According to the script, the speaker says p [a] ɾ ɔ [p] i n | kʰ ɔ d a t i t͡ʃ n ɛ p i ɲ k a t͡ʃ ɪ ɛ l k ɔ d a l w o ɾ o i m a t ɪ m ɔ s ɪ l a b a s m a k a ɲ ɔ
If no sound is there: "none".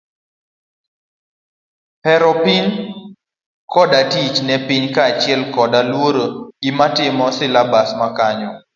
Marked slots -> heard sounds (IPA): ɛ, p

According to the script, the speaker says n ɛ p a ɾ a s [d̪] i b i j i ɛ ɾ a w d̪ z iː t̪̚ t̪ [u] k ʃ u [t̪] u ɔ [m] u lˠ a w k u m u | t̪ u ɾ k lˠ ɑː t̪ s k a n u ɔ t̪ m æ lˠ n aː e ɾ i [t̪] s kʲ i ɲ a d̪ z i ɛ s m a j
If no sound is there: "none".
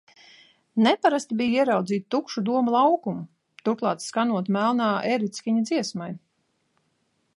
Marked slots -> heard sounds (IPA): t̪, u, d̪, m, t̪

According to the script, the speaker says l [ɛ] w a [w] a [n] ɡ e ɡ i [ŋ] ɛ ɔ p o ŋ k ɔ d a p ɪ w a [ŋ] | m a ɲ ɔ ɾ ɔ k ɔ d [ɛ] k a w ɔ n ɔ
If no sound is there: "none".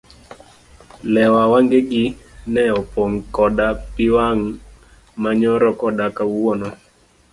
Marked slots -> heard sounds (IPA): ɛ, w, ŋ, n, ŋ, a

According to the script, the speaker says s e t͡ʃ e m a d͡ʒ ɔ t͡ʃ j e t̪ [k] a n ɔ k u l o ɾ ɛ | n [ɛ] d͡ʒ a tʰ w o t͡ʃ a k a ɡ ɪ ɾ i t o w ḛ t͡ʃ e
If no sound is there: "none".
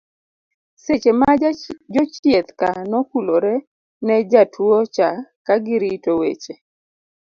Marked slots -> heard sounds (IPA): k, ɛ

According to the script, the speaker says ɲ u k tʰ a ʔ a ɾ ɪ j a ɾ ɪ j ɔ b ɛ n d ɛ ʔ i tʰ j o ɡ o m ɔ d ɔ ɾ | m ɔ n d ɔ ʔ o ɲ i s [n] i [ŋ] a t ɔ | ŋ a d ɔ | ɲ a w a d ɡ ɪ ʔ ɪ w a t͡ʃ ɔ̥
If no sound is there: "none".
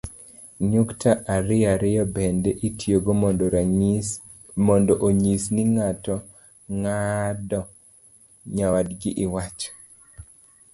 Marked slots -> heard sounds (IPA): n, ŋ

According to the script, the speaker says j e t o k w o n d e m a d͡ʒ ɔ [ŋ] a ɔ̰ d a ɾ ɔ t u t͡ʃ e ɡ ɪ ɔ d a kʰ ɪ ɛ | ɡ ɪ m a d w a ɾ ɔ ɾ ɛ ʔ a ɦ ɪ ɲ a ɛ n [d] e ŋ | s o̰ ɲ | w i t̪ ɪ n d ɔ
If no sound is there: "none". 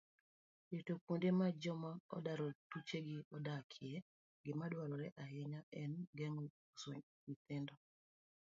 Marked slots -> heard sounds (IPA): m, ɡ

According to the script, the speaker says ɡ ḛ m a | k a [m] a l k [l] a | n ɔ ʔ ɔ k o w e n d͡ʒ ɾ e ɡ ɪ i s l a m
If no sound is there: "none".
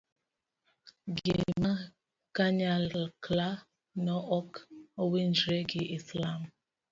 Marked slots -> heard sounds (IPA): ɲ, l

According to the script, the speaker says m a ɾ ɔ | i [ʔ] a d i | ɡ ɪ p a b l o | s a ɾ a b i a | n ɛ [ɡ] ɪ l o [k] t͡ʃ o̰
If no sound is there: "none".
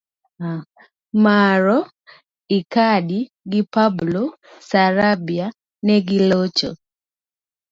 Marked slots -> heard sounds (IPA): k, ɡ, none

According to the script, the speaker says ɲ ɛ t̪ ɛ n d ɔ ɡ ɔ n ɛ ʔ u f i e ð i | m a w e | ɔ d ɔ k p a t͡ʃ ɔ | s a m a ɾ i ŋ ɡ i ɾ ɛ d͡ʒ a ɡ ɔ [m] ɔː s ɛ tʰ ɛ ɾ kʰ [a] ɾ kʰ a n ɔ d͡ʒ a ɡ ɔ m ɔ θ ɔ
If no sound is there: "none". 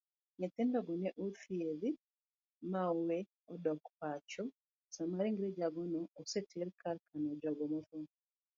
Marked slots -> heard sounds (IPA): n, a

